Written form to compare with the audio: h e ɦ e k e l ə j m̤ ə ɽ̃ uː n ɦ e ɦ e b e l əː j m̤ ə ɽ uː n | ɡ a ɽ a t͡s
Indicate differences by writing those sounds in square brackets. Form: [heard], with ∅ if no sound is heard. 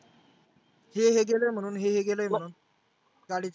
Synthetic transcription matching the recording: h e ɦ e [ɡ] e l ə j m̤ ə ɽ̃ uː n ɦ e ɦ e [ɡ] e l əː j m̤ ə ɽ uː n | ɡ a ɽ [i] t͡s